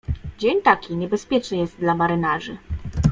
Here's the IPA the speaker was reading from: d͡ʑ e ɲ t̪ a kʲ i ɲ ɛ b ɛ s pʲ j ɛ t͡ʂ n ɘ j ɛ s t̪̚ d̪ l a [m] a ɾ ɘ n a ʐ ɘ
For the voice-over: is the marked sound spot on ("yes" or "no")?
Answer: yes